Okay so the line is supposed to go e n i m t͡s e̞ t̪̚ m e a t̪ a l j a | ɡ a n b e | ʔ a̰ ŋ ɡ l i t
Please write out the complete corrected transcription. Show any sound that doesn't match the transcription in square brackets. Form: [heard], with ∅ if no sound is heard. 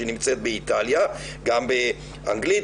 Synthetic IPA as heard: e n i m t͡s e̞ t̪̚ [b] e [i] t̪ a l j a | ɡ a [m] b e | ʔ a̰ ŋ ɡ l i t

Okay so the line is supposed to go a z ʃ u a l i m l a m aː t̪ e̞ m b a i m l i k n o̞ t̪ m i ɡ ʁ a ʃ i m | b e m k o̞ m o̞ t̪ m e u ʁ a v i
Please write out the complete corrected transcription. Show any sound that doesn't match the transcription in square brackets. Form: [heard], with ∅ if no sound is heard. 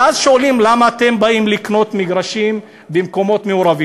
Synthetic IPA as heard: a z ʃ [o] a l i m l a m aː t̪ e̞ m b a i m l i k n o̞ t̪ m i ɡ ʁ a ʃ i m | b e m k o̞ m o̞ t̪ m e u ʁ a v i

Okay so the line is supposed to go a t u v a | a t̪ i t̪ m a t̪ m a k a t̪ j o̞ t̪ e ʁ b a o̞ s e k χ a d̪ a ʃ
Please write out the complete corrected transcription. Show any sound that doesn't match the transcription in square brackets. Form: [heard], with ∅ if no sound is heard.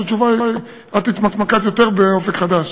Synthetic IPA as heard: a [t͡ʃ] u v a | a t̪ i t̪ m a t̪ m a k a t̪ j o̞ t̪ e ʁ b [e] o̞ [f] e k χ a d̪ a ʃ

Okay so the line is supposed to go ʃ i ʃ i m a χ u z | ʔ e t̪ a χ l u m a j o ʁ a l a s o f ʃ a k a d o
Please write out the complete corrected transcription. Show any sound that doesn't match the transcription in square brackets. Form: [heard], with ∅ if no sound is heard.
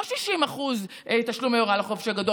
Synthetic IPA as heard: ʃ i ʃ i m a χ u z | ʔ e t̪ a [ʃ] l u m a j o ʁ a l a [χ] o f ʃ a [ɡ] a d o

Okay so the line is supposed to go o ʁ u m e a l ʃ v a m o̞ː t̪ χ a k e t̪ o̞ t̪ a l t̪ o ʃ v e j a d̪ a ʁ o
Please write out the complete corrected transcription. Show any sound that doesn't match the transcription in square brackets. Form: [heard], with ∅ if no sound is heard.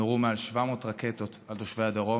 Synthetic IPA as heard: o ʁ u m e a l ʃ v a m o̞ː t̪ [ʁ] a k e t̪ o̞ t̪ a l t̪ o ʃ v e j a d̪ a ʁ o

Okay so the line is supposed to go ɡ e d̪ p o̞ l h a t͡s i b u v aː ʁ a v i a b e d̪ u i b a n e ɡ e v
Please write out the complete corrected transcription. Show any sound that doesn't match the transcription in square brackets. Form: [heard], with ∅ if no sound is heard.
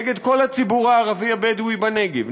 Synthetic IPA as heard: ɡ e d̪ [k] o̞ l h a t͡s i b u [ʁ] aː ʁ a v i a b e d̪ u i b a n e ɡ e v

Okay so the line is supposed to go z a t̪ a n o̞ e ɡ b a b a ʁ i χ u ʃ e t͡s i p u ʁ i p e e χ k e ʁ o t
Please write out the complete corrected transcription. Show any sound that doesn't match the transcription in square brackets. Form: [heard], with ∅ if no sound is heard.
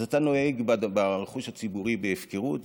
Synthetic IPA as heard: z a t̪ a n o̞ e ɡ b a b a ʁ [e] χ u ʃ [a] t͡s i [b] u ʁ i [b] e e [f] k e ʁ [u] t

